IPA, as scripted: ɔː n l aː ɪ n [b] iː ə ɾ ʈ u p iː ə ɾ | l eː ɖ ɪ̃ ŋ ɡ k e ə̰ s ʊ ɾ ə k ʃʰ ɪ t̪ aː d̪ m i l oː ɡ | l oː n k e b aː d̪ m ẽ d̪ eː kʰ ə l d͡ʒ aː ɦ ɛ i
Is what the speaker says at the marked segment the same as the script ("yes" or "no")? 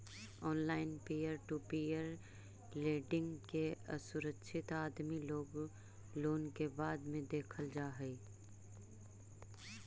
no